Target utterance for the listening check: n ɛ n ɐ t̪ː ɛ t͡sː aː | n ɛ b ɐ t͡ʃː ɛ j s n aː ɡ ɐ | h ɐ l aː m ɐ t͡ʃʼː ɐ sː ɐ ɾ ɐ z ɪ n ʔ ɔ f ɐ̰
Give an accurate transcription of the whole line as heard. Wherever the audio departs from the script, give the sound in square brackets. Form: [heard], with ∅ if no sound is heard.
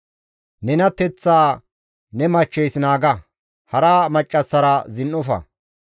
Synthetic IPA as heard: n ɛ n ɐ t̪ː ɛ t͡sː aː | n ɛ [m] ɐ t͡ʃː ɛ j s n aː ɡ ɐ | h ɐ [ɾ] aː m ɐ t͡ʃʼː ɐ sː ɐ ɾ ɐ z ɪ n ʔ ɔ f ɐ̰